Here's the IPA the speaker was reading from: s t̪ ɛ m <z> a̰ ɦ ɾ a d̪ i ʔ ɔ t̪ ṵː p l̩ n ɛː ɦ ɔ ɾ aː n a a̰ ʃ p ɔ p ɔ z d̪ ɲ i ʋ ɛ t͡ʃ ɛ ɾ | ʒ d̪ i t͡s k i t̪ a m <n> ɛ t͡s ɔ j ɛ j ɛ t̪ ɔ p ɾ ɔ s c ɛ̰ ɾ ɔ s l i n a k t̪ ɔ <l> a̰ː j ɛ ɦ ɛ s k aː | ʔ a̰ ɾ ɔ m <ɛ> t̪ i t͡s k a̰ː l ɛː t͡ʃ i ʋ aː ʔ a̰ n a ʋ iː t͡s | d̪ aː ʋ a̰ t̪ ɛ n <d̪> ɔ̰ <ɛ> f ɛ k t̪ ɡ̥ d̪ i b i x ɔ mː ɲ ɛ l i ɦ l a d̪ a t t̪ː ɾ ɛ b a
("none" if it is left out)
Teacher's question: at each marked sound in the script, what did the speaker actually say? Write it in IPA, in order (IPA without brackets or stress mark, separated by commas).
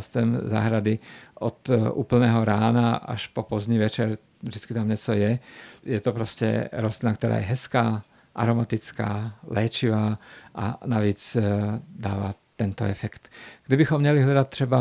z, ɲ, ɾ, a, t̪, ɛ